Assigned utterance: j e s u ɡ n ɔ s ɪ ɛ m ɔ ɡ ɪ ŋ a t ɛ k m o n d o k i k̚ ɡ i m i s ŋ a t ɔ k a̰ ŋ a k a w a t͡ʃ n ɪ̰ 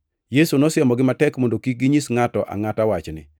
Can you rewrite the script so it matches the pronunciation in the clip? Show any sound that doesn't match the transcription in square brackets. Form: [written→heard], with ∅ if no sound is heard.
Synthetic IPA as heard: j e s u [ɡ→∅] n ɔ s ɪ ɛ m ɔ ɡ ɪ [ŋ→m] a t ɛ k m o n d o k i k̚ ɡ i [m→ɲ] i s ŋ a t ɔ [k→ʔ] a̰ ŋ a [k→t] a w a t͡ʃ n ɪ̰